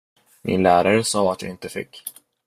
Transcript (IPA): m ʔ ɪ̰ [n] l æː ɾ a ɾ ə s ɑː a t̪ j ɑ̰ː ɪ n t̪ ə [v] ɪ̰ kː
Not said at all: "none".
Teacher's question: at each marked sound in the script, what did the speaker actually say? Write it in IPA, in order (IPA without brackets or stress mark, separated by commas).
n, f